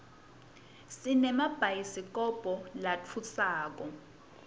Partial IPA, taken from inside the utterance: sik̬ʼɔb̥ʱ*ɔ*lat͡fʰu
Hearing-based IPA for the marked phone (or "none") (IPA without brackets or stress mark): ɔ